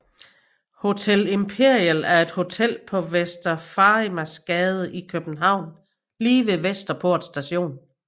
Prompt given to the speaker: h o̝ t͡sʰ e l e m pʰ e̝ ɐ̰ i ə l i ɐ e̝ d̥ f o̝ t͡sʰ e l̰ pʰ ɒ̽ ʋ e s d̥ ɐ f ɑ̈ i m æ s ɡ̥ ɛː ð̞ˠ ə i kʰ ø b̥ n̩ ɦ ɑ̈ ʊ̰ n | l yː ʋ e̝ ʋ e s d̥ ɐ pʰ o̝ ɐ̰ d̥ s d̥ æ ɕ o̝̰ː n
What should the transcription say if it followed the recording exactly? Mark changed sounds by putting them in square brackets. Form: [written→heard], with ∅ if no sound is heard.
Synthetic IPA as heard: h o̝ t͡sʰ e l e m pʰ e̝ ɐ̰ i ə l [i→æ] ɐ e̝ d̥ [f→h] o̝ t͡sʰ e l̰ pʰ ɒ̽ ʋ e s d̥ ɐ f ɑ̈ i m æ s ɡ̥ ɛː ð̞ˠ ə i kʰ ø b̥ n̩ ɦ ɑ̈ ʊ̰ n | l [yː→iː] ʋ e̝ ʋ e s d̥ ɐ pʰ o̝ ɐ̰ d̥ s d̥ æ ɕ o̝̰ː n